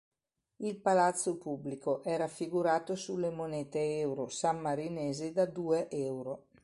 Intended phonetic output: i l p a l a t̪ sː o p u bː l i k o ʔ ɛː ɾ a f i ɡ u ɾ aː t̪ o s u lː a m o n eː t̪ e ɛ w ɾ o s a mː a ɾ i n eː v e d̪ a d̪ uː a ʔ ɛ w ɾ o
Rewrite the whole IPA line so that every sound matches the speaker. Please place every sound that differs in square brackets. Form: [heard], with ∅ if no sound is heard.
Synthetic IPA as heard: i l p a l a t̪ sː o p u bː l i k o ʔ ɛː ɾ a f i ɡ u ɾ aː t̪ o s u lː [e] m o n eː t̪ e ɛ w ɾ o s a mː a ɾ i n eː [z] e d̪ a d̪ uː [e] ʔ ɛ w ɾ o